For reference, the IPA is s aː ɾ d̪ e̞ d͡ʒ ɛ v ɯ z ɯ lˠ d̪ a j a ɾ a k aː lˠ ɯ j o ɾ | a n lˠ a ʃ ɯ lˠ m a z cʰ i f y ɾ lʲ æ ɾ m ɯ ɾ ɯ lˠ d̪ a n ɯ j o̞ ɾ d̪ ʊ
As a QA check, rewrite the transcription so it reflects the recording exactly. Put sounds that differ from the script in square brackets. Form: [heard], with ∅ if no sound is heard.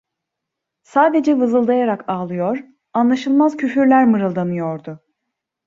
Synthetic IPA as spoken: s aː [∅] d̪ e̞ d͡ʒ ɛ v ɯ z ɯ lˠ d̪ a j a ɾ a k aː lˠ ɯ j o ɾ | a n lˠ a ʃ ɯ lˠ m a z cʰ [y] f y ɾ lʲ æ ɾ m ɯ ɾ ɯ lˠ d̪ a n ɯ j o̞ ɾ d̪ ʊ